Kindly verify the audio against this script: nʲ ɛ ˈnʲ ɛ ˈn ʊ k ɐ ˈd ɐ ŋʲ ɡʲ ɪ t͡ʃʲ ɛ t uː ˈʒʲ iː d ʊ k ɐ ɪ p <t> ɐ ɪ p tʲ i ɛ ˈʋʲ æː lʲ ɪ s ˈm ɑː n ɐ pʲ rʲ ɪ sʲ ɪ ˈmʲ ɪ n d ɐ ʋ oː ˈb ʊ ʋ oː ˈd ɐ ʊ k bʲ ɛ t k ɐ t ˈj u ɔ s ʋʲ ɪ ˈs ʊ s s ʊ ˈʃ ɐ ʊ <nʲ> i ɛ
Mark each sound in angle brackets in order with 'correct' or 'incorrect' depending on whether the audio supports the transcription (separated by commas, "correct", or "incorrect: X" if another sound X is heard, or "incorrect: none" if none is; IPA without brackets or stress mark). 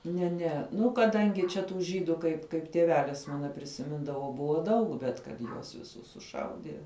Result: incorrect: k, incorrect: dʲ